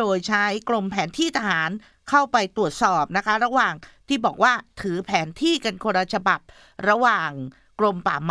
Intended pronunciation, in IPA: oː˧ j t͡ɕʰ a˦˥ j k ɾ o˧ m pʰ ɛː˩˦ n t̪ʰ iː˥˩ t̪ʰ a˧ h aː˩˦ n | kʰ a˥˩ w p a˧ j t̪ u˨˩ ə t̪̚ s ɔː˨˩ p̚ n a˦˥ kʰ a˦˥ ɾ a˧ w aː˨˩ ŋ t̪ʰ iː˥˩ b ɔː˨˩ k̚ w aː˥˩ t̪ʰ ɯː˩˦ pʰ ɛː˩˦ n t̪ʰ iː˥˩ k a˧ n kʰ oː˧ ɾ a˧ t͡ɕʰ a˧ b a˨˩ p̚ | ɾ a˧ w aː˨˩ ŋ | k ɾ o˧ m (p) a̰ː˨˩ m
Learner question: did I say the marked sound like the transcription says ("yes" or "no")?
yes